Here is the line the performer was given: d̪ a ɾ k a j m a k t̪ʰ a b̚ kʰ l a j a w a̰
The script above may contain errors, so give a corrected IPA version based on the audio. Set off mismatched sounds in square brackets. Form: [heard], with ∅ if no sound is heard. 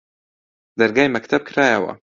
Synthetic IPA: d̪ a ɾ [ɡ] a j m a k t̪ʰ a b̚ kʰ [ɾ] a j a w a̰